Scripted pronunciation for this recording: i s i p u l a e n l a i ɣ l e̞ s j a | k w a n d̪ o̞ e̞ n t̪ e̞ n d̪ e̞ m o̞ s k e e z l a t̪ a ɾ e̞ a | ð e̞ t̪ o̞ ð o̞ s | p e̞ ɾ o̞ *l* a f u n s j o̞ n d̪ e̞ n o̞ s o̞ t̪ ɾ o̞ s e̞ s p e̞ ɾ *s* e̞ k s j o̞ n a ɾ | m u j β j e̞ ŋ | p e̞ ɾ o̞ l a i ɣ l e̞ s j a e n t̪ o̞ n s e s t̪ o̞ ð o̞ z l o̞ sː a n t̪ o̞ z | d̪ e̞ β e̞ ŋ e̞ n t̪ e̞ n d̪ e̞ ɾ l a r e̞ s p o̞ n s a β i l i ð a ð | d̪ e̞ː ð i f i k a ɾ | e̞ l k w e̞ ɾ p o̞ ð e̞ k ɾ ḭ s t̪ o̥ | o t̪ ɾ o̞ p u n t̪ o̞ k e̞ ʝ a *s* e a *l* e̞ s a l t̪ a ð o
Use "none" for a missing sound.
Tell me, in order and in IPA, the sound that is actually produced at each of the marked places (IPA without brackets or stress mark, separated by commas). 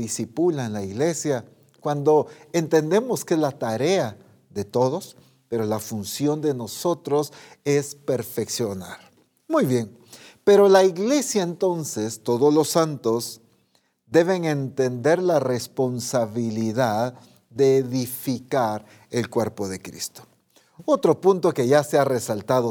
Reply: l, f, s, r